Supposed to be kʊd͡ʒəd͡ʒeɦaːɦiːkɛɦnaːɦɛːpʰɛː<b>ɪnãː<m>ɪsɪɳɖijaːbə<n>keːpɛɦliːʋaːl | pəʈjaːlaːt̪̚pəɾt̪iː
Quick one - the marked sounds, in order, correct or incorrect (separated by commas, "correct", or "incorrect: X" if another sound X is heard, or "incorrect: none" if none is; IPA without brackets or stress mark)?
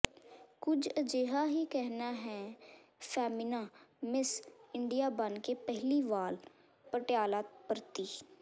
incorrect: m, correct, correct